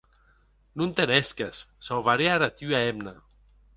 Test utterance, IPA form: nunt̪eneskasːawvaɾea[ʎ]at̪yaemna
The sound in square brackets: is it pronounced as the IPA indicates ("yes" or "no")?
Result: no